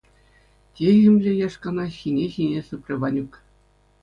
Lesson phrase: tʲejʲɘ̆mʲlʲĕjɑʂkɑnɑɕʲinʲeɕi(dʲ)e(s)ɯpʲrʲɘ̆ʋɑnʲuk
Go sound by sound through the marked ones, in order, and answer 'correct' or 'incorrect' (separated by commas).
incorrect, correct